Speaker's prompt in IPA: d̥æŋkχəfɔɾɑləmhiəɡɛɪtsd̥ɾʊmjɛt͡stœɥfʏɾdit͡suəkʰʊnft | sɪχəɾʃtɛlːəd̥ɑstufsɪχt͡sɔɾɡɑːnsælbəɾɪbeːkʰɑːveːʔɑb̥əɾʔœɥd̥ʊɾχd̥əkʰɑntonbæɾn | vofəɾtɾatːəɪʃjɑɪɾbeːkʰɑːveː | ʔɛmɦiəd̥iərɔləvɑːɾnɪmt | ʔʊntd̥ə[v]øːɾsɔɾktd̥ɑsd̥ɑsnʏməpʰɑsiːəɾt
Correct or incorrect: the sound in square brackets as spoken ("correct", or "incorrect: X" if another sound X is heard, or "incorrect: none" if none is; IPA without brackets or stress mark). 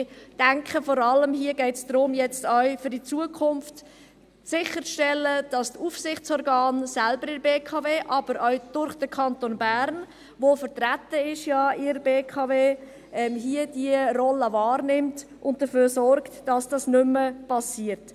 incorrect: f